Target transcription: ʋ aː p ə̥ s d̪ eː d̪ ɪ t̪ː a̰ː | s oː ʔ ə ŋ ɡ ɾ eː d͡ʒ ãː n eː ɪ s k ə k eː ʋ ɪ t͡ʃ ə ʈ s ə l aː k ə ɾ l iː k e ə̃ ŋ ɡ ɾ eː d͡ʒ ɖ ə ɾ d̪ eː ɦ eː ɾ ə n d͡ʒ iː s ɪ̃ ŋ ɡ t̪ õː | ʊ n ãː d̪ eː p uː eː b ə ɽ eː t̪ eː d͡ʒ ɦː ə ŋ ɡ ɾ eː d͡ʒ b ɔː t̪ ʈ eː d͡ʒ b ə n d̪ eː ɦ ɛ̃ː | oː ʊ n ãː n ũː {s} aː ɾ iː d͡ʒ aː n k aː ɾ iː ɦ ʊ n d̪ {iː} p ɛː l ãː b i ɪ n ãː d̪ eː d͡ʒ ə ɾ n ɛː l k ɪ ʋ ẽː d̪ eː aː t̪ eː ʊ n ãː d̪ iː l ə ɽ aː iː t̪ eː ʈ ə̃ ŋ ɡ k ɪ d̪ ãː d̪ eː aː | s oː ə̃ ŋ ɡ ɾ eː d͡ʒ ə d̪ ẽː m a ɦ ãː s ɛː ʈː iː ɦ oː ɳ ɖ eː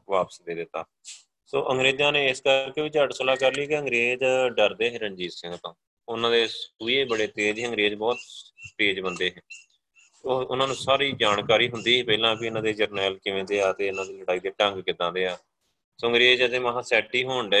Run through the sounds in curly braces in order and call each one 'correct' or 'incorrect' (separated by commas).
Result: correct, correct